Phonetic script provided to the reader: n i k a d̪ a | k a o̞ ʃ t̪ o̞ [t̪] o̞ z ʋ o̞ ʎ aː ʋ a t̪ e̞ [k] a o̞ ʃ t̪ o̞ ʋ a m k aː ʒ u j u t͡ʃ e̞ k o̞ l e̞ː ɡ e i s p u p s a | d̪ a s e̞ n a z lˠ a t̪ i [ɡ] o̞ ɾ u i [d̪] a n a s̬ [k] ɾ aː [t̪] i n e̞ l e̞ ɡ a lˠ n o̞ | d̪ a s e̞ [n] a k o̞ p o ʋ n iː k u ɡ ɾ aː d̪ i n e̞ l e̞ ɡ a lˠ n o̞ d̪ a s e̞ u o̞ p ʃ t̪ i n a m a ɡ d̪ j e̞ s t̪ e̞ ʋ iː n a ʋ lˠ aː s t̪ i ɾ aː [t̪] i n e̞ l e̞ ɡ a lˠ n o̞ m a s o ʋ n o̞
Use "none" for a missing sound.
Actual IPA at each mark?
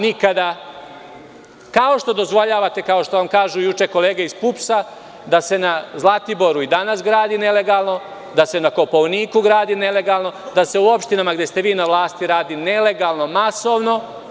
d̪, k, b, d̪, ɡ, d̪, n, d̪

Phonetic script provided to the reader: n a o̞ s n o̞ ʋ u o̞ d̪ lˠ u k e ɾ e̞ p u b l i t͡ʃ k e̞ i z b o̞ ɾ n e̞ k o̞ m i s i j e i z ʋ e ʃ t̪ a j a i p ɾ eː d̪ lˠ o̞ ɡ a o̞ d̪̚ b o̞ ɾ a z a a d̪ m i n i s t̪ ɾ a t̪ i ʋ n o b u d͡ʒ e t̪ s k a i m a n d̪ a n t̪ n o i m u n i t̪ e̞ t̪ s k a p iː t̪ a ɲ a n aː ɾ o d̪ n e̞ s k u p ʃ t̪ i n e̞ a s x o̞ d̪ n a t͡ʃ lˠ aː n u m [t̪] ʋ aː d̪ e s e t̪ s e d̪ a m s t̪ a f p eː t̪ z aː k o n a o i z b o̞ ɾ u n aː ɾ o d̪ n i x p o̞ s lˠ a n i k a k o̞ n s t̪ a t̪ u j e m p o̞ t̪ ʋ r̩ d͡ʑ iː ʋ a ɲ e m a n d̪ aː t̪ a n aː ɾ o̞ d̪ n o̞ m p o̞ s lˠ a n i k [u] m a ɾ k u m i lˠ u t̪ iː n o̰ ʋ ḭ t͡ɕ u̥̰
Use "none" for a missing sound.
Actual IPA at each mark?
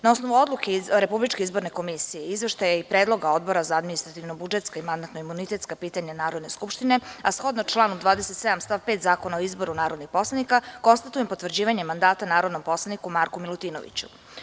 d̪, u

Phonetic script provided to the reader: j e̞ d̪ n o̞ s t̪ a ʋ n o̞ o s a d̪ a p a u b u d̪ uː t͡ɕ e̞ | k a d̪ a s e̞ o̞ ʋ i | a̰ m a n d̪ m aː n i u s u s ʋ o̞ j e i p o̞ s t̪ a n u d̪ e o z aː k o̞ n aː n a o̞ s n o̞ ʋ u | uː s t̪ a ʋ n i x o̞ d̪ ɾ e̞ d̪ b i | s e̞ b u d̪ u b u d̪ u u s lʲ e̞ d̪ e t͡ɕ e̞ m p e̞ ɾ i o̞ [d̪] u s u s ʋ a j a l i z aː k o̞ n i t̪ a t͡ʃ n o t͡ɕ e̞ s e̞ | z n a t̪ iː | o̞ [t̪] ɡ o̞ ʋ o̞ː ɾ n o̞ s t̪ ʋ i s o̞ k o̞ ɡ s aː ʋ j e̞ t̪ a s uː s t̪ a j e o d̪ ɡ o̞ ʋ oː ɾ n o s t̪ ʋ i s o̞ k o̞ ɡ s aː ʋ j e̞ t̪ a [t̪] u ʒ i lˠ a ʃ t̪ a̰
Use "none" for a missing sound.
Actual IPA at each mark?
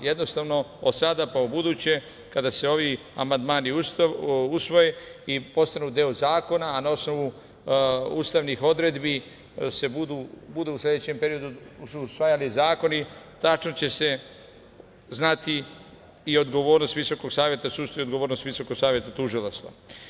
d̪, d̪, t̪

